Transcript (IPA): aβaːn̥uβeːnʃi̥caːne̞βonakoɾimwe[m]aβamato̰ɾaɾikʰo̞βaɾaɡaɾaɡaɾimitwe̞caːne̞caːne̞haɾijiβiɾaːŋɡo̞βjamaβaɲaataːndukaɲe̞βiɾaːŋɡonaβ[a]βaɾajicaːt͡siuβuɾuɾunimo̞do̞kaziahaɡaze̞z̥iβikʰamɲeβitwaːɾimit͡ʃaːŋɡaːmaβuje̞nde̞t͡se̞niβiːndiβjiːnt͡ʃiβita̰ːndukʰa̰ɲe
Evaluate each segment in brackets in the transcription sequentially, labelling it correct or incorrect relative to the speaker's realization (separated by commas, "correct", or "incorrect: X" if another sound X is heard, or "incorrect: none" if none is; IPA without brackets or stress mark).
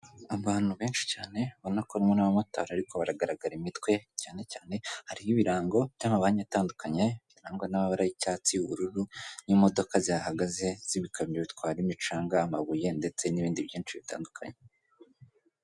incorrect: n, correct